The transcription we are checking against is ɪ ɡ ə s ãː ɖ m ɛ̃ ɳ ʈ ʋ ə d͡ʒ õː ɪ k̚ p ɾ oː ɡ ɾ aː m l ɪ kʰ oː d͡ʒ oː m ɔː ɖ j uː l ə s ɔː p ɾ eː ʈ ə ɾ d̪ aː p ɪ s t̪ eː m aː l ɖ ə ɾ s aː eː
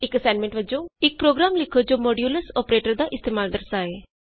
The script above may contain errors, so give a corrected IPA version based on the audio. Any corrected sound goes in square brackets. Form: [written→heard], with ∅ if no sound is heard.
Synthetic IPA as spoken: ɪ [ɡ→k] ə s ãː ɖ m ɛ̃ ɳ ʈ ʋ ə d͡ʒ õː ɪ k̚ p ɾ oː ɡ ɾ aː m l ɪ kʰ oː d͡ʒ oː m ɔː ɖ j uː l ə s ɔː p ɾ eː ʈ ə ɾ d̪ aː [p→ʔ] ɪ s t̪ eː m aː l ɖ ə ɾ s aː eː

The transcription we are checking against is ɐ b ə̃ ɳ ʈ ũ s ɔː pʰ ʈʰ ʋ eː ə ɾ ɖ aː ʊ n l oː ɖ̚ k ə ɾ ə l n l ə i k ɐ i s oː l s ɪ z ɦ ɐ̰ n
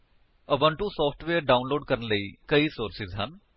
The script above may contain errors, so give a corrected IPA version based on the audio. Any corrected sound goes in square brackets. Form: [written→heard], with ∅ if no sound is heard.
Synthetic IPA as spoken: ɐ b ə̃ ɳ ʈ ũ s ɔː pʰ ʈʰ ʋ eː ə ɾ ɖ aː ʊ n l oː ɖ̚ k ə ɾ ə [l→∅] n l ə i k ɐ i s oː [l→ɾ] s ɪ z ɦ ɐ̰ n

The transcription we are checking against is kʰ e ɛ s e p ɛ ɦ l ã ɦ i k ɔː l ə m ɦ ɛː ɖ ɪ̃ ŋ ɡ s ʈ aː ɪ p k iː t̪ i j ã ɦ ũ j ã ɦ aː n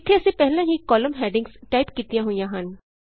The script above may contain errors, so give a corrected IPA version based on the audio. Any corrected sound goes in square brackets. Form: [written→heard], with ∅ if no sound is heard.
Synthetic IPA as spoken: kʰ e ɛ s e p ɛ ɦ l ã ɦ i k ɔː l ə m ɦ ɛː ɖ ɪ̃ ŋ ɡ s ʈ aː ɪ p k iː t̪ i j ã ɦ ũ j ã ɦ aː n

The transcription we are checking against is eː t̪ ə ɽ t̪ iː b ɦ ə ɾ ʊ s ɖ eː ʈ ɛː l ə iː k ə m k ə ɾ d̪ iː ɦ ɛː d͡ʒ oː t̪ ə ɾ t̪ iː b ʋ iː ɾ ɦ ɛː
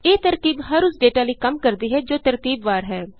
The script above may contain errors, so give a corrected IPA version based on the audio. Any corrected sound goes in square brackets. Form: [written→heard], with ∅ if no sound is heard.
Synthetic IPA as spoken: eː t̪ ə [ɽ→ɾ] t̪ iː b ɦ ə ɾ ʊ s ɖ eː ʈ [ɛː→aː] l ə iː k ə m k ə ɾ d̪ iː ɦ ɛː d͡ʒ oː t̪ ə ɾ t̪ iː b ʋ [iː→aː] ɾ ɦ ɛː

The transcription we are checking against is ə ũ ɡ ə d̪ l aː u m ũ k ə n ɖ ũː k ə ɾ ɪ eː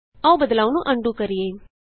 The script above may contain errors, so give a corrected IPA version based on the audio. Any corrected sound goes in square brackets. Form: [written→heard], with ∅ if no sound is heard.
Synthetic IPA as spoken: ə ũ [ɡ→b] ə d̪ l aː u [m→n] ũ [k→ʔ] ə [n→ɳ] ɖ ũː k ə ɾ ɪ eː

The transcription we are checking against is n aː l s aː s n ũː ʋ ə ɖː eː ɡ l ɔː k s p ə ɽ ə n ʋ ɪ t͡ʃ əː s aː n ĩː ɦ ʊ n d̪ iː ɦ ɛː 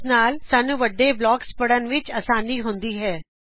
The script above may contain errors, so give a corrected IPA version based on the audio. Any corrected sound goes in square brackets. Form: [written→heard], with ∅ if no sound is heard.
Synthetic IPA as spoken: n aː l s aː [s→∅] n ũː ʋ ə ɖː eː [ɡ→b] l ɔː k s p ə ɽ ə n ʋ ɪ t͡ʃ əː s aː n [ĩː→iː] ɦ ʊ n d̪ iː ɦ ɛː

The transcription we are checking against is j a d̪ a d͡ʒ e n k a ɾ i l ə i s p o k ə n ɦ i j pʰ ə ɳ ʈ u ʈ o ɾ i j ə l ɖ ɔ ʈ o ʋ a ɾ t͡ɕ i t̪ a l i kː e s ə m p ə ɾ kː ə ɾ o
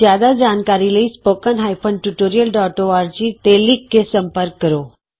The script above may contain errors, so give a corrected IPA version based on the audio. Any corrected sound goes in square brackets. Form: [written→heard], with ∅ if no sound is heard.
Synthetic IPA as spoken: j a d̪ a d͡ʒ [e→a] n k a ɾ i l ə i s p o k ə n ɦ [i→a] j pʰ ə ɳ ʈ u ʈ o ɾ i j ə l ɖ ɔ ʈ o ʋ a ɾ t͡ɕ i t̪ [a→e] l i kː e s ə m p ə ɾ kː ə ɾ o

